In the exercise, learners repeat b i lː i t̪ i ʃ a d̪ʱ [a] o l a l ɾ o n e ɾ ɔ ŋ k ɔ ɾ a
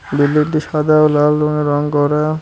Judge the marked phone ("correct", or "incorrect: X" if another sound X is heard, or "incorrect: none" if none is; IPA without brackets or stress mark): correct